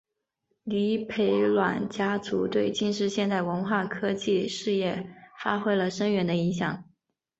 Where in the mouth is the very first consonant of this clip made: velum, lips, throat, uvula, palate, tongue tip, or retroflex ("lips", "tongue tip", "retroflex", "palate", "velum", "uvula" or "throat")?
tongue tip